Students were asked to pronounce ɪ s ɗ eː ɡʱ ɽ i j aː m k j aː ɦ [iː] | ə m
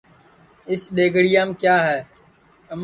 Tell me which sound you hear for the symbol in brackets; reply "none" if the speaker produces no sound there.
ɛː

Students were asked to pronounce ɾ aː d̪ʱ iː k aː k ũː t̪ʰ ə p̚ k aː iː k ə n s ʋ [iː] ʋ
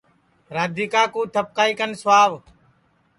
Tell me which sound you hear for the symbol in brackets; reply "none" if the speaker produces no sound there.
aː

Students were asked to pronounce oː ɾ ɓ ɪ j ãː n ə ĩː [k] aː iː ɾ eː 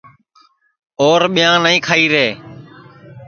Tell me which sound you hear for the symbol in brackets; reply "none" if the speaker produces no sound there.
kʰ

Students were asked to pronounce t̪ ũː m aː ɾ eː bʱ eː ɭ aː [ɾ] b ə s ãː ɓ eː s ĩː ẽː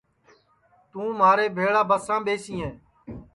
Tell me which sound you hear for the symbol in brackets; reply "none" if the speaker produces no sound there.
none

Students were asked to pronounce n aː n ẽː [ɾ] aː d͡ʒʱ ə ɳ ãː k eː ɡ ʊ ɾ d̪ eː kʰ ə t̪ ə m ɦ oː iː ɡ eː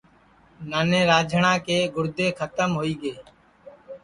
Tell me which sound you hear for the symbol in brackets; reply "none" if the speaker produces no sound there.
ɾ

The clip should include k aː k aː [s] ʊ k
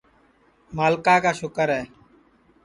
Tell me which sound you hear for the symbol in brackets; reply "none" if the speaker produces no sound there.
ʃ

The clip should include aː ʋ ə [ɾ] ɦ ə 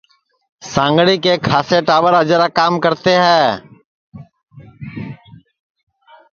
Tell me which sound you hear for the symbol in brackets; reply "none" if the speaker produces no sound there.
ɾ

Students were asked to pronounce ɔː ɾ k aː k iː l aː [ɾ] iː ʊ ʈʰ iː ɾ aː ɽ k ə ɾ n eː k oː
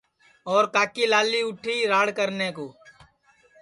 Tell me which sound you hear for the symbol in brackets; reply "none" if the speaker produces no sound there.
l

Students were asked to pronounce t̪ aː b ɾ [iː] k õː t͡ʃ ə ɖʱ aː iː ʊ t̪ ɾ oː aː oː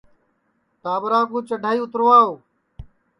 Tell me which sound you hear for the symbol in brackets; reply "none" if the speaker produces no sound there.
aː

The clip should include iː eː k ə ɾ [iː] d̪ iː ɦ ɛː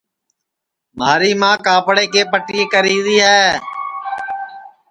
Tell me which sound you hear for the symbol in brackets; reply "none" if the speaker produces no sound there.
iː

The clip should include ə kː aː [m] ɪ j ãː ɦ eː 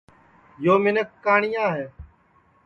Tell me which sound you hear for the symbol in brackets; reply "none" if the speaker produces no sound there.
ɳ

